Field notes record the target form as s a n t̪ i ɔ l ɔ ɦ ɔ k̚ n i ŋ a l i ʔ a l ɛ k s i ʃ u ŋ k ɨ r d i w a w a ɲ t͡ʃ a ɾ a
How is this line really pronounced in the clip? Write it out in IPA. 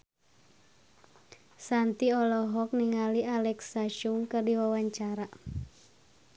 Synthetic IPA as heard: s a n t̪ i ɔ l ɔ ɦ ɔ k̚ n i ŋ a l i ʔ a l ɛ k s a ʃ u ŋ k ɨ r d i w a w a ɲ t͡ʃ a ɾ a